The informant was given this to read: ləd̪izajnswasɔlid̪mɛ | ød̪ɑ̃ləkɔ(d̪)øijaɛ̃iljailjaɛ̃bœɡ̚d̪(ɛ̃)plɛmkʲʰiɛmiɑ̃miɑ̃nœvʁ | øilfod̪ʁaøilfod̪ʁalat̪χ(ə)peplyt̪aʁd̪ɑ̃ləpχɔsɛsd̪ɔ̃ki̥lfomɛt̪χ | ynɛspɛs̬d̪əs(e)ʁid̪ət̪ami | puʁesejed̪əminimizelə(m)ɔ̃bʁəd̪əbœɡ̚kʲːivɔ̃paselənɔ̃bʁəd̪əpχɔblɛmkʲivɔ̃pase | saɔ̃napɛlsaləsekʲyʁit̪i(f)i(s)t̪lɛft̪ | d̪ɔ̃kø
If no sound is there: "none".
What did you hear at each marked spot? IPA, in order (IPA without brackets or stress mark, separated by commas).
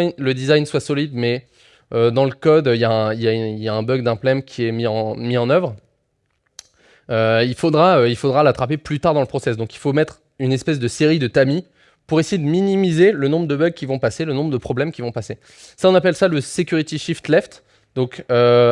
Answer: d̪, ɛ̃, a, e, n, ʃ, f